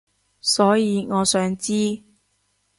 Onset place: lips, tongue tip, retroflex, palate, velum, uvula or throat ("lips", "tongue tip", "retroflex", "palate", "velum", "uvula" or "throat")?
tongue tip